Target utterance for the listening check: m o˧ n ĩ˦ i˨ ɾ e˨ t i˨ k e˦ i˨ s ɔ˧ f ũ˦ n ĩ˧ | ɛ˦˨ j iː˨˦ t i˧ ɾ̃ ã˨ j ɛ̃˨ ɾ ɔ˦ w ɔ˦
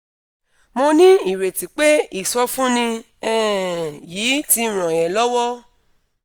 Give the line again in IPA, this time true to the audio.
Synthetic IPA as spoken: m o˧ n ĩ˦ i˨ ɾ e˨ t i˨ k͡p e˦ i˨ s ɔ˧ f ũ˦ n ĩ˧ | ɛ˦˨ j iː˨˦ t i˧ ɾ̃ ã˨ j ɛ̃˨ l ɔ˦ w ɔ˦

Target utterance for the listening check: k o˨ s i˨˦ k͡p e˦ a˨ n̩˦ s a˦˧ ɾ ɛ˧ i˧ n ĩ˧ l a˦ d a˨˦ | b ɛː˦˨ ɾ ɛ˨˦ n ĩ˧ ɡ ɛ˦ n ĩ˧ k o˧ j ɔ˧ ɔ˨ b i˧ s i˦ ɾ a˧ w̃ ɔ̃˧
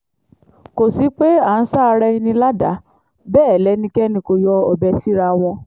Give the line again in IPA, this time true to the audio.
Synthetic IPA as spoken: k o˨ s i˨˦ k͡p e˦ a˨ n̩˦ s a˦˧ ɾ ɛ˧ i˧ n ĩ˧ l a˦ d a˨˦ | b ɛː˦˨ l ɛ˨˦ n ĩ˧ k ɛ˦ n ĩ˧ k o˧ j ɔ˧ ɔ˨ b ɛ˧ s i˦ ɾ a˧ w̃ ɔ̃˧

